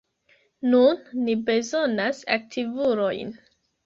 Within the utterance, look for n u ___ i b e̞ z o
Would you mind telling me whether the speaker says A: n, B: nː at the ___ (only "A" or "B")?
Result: B